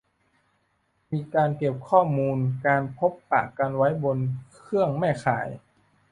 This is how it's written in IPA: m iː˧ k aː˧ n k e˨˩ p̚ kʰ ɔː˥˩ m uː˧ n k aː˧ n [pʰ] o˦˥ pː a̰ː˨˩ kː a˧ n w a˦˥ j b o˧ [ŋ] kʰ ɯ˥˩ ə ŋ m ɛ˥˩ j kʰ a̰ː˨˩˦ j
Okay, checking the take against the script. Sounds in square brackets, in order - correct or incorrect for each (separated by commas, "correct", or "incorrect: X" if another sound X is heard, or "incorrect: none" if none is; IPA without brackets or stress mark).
correct, incorrect: n